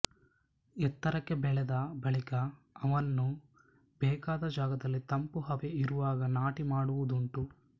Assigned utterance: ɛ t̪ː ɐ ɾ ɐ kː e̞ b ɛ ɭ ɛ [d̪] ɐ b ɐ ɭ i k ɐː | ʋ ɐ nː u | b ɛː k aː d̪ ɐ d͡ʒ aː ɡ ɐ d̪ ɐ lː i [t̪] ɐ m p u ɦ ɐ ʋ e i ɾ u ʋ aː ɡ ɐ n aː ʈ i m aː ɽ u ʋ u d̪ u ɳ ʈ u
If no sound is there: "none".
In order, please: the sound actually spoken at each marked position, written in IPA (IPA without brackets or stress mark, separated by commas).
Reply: d̪, t̪